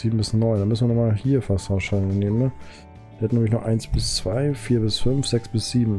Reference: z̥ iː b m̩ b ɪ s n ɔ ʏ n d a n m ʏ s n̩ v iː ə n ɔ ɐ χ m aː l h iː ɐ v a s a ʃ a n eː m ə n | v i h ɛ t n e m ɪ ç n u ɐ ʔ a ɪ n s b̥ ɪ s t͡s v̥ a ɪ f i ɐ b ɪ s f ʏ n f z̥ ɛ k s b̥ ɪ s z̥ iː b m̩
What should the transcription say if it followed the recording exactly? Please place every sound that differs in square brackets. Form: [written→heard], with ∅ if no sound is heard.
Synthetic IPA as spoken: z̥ iː b m̩ b ɪ s n ɔ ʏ n d a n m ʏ s n̩ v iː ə n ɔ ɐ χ m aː l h iː ɐ [v→f] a s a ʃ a n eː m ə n | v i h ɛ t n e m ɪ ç n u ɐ ʔ a ɪ n s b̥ ɪ s t͡s v̥ a ɪ f [i→iː] ɐ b ɪ s f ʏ n f z̥ ɛ k s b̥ ɪ s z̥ iː b m̩

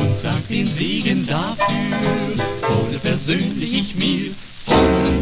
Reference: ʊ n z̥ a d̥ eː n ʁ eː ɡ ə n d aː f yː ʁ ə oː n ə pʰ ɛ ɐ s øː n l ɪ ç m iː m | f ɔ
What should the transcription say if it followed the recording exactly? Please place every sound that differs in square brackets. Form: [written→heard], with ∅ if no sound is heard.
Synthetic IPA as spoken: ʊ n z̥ a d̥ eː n [ʁ→z] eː ɡ ə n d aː f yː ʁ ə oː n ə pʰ ɛ ɐ [s→z] øː n l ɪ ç m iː [m→∅] | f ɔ

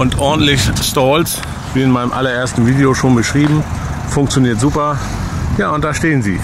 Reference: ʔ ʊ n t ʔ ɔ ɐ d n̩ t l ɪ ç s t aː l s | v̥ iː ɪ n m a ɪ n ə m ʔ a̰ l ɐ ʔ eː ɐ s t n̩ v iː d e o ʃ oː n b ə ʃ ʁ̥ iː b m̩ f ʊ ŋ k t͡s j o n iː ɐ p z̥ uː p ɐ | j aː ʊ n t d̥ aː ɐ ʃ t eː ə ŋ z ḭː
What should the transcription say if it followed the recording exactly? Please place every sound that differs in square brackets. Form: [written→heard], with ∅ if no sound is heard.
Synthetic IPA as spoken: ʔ ʊ n t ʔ ɔ ɐ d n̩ t l ɪ ç s t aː l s | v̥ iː ɪ n m a ɪ n ə m ʔ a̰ l ɐ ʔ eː ɐ s t n̩ v iː d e o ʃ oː n b ə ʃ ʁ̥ iː b m̩ f ʊ ŋ k t͡s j o n iː ɐ [p→t] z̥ uː p ɐ | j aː ʊ n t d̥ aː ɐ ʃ t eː ə [ŋ→n] z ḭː

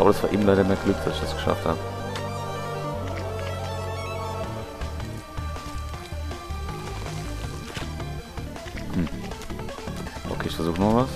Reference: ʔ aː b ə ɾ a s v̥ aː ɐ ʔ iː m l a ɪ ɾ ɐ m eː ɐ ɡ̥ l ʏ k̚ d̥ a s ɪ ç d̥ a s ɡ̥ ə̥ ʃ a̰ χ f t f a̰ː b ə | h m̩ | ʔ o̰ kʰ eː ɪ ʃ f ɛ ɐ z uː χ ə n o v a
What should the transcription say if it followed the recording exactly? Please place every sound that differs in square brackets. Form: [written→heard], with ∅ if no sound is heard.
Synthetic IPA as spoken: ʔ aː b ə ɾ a s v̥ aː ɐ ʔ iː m l a ɪ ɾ ɐ m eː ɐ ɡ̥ l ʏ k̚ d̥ a s ɪ ç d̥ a s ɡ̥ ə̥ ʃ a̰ [χ→∅] f t [f→h] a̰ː b ə | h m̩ | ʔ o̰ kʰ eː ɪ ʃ f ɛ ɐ z uː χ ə n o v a

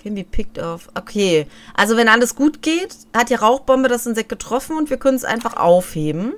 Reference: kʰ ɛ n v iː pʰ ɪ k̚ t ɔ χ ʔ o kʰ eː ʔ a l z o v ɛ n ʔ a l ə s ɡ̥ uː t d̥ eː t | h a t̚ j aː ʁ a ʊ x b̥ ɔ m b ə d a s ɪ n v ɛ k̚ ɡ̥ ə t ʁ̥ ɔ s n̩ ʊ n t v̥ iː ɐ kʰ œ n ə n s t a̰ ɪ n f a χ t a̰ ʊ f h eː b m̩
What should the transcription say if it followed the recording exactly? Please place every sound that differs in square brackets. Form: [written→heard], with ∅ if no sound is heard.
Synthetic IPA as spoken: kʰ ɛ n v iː pʰ ɪ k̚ t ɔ [χ→f] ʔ o kʰ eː ʔ a l z o v ɛ n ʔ a l ə s ɡ̥ uː t [d̥→ɡ̥] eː t | h a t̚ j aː ʁ a ʊ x b̥ ɔ m b ə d a s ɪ n [v→z] ɛ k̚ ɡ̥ ə t ʁ̥ ɔ [s→f] n̩ ʊ n t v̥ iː ɐ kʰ œ n ə n s [t→ʔ] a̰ ɪ n f a χ [t→ʔ] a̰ ʊ f h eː b m̩

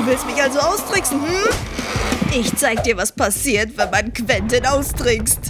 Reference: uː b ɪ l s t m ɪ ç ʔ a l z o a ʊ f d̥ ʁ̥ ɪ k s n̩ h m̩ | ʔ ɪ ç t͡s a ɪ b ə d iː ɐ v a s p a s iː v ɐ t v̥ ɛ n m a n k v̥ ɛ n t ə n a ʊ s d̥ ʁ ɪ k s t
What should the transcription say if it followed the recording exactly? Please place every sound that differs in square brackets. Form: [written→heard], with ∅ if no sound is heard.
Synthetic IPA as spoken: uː [b→v] ɪ l s t m ɪ ç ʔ a l z o a ʊ [f→s] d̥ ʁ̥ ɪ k s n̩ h m̩ | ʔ ɪ ç t͡s a ɪ [b→ɡ] ə d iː ɐ v a s p a s iː [v→∅] ɐ t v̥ ɛ n m a n k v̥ ɛ n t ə n a ʊ s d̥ ʁ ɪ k s t

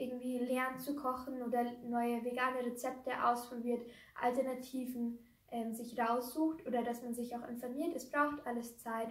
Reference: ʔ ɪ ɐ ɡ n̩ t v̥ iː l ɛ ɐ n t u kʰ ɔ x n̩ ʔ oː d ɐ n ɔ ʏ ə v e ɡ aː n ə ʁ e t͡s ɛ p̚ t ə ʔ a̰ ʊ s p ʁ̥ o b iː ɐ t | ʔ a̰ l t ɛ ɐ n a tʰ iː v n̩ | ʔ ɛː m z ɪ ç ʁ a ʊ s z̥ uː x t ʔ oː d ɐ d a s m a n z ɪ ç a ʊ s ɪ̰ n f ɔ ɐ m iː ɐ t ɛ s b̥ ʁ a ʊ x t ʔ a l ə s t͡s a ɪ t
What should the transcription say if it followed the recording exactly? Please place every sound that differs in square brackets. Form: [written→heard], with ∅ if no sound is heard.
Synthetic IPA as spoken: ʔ ɪ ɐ ɡ [n̩→ŋ̩] t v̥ iː l ɛ ɐ n [t→t͡s] u kʰ ɔ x n̩ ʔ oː d ɐ n ɔ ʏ ə v e ɡ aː n ə ʁ e t͡s ɛ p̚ t ə ʔ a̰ ʊ s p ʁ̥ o b iː ɐ t | ʔ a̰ l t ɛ ɐ n a tʰ iː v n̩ | ʔ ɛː m z ɪ ç ʁ a ʊ s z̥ uː x t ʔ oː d ɐ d a s m a n z ɪ ç a ʊ [s→x] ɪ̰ n f ɔ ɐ m iː ɐ t ɛ s b̥ ʁ a ʊ x t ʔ a l ə s t͡s a ɪ t

